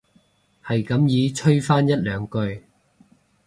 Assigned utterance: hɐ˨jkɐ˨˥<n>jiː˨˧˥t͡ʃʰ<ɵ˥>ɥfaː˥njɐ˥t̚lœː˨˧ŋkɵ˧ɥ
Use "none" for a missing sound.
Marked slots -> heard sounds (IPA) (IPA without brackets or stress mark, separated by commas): m, ɵ˥